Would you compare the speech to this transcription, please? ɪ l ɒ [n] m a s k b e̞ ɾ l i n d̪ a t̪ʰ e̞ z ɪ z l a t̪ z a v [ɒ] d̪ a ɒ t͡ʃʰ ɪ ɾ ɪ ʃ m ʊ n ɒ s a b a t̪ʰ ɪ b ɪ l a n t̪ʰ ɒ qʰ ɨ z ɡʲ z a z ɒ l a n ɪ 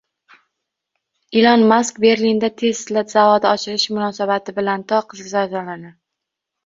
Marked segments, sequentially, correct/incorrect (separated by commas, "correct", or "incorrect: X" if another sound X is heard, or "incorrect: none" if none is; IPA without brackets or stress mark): correct, correct